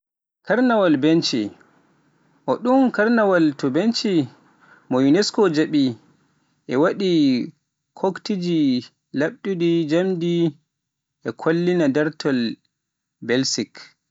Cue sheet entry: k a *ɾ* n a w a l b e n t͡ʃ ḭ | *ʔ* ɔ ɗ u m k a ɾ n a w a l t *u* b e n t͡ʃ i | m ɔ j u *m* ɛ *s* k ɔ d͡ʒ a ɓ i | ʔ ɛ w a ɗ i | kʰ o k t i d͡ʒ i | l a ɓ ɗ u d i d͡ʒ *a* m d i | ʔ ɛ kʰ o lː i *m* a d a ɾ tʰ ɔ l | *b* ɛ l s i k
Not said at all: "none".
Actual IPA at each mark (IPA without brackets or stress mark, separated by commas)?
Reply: ɾ, ʔ, ɔ, n, s, a, n, b